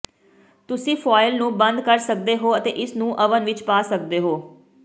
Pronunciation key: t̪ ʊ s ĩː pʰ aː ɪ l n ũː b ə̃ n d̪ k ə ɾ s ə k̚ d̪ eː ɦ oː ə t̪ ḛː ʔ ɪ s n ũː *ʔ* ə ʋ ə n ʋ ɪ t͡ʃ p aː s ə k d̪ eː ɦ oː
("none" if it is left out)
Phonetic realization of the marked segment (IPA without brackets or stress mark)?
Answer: ʔ